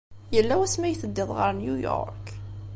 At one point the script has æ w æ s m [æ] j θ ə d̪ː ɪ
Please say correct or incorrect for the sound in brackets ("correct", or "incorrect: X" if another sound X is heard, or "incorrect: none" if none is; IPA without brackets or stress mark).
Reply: correct